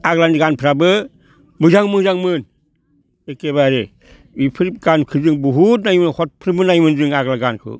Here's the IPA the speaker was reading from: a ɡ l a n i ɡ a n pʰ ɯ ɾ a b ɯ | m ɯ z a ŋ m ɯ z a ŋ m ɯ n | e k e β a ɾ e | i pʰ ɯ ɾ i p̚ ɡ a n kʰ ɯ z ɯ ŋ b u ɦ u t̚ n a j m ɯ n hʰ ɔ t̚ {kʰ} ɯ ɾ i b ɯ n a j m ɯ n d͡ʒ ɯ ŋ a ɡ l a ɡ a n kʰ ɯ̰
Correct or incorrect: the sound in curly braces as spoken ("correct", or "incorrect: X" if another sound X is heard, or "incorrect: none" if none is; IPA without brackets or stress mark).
incorrect: pʰ